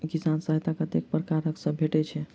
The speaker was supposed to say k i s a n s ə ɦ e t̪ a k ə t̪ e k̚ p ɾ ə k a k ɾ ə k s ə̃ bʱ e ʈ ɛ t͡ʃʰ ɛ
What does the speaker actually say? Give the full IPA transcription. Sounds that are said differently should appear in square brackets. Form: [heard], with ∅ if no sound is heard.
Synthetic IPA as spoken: k i s a n s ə ɦ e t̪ a k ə t̪ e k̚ p ɾ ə k a [∅] ɾ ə k s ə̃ bʱ e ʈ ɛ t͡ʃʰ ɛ